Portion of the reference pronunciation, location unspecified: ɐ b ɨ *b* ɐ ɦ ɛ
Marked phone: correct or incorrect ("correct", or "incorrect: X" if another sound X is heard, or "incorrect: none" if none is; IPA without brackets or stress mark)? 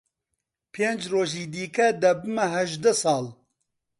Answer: incorrect: m